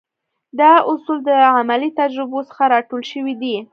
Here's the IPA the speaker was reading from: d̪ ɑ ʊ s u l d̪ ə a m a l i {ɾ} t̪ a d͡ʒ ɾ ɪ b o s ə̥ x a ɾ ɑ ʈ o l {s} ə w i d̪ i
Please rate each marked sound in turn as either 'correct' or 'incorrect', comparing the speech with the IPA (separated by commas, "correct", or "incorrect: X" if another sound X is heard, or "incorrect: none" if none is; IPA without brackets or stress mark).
incorrect: none, incorrect: ʃ